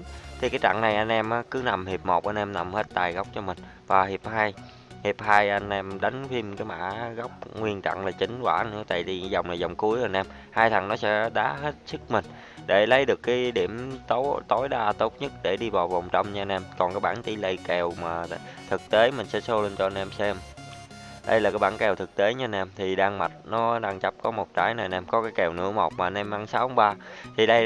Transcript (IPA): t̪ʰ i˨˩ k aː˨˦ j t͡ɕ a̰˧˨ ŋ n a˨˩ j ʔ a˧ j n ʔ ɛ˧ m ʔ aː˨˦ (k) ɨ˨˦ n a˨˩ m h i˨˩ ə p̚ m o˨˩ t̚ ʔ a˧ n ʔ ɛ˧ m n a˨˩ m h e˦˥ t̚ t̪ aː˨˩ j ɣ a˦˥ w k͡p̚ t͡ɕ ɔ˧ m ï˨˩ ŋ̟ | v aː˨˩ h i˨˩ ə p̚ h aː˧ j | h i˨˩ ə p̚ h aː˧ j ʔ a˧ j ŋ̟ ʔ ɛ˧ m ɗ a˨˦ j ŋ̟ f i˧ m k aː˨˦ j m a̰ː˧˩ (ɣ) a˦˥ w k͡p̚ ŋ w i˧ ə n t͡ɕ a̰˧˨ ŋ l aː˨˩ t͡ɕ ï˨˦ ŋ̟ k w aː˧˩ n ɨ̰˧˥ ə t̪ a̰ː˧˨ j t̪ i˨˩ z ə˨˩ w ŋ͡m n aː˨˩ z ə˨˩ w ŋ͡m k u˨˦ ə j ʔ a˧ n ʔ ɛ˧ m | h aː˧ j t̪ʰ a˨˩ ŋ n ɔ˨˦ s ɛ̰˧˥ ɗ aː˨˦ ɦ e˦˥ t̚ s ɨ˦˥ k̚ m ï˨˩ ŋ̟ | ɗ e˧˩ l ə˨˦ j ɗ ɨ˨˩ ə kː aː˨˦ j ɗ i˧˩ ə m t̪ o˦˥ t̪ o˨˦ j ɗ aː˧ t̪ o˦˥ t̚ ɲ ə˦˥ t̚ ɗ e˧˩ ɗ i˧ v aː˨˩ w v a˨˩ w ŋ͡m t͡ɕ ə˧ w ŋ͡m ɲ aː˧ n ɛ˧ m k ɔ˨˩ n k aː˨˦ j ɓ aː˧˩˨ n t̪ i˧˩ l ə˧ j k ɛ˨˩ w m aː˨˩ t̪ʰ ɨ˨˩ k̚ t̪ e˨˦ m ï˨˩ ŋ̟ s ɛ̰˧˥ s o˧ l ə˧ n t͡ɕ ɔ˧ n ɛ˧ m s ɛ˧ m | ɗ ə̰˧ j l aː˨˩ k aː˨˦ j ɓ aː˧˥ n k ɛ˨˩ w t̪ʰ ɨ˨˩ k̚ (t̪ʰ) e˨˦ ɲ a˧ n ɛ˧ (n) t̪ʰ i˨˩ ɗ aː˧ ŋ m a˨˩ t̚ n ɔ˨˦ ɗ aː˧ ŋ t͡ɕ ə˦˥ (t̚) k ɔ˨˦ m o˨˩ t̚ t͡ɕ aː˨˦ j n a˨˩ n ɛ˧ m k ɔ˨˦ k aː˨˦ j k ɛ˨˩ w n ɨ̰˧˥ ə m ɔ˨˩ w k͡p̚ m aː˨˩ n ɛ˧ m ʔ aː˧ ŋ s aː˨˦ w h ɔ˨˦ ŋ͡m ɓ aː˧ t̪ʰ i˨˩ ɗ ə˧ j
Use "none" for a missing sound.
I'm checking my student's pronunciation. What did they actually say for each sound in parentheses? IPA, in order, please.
k, ɣ, t̪, m, p̚

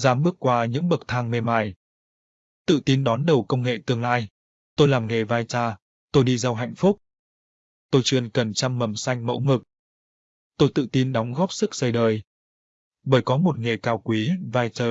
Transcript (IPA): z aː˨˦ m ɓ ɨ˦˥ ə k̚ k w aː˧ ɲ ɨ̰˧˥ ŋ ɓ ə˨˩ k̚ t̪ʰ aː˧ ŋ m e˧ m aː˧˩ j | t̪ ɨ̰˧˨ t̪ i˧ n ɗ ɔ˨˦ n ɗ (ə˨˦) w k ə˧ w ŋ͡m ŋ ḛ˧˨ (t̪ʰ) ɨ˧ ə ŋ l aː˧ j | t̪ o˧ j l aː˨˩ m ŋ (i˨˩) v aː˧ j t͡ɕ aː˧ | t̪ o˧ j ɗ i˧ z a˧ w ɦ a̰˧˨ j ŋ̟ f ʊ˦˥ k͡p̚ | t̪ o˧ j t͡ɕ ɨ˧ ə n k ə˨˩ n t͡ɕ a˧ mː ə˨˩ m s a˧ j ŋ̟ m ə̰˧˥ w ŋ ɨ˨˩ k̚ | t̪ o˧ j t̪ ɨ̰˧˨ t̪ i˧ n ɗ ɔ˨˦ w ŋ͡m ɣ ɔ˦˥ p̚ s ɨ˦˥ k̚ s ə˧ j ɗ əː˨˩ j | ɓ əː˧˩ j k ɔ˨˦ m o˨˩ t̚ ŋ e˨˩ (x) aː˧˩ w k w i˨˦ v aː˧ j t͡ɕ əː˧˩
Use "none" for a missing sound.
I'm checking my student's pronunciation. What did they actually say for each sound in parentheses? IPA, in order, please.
ə˨˩, t̪, e˨˩, k

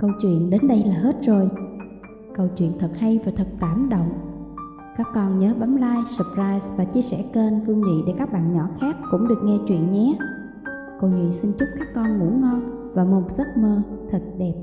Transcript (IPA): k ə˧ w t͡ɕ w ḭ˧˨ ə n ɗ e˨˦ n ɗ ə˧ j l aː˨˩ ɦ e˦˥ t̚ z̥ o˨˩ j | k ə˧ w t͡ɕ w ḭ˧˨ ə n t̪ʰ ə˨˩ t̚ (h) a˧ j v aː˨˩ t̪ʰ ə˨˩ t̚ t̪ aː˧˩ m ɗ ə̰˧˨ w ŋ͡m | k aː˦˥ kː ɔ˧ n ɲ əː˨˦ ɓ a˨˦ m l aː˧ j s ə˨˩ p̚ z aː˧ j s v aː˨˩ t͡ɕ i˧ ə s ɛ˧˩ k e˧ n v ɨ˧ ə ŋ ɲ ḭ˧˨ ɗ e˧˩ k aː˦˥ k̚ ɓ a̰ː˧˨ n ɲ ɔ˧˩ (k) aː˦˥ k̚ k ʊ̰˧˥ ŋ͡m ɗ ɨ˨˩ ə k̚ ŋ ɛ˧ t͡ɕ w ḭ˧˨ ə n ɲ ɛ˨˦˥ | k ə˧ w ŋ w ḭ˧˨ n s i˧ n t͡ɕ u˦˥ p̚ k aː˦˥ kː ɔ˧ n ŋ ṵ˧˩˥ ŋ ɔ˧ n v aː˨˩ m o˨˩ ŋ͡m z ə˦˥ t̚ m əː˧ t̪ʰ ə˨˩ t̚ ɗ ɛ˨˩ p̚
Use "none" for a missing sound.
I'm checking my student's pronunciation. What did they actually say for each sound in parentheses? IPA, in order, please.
h, x

